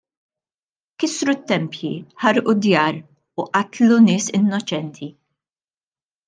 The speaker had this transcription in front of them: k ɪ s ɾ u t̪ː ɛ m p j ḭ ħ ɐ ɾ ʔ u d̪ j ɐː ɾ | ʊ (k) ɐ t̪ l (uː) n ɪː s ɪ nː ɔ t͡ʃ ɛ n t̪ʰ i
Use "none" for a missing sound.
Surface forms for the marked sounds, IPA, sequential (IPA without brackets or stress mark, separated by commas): ʔ, u